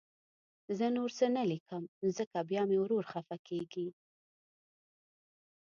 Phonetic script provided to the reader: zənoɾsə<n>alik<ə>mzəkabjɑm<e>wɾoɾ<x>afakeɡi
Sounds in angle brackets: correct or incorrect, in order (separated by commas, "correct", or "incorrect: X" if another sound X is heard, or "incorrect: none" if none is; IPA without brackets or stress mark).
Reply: correct, correct, correct, correct